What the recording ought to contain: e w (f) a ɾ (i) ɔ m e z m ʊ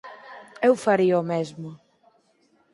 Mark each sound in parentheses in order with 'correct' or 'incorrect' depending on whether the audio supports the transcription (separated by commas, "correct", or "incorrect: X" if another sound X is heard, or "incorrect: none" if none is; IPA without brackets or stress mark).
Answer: correct, correct